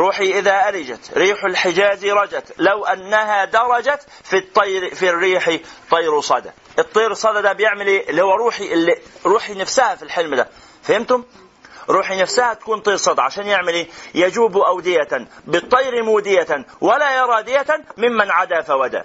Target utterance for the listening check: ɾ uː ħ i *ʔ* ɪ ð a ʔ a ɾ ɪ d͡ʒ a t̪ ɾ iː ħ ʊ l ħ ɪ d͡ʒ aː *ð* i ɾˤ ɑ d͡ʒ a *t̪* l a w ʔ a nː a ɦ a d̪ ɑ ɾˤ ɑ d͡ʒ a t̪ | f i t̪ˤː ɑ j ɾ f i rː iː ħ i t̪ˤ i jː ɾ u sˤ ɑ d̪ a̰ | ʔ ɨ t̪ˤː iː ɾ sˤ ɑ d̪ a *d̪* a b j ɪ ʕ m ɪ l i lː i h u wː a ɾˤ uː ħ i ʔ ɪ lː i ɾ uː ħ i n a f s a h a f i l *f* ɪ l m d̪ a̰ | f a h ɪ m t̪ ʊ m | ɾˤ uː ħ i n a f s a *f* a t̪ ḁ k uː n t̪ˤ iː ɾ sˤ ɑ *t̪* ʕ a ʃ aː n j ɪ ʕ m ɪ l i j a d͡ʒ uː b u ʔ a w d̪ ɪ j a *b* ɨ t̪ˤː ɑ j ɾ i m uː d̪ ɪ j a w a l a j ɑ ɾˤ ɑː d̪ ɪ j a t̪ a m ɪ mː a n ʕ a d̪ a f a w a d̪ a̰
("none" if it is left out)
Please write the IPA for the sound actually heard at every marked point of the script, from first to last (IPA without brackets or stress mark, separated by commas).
ʔ, z, t̪, d̪, ħ, h, d̪, b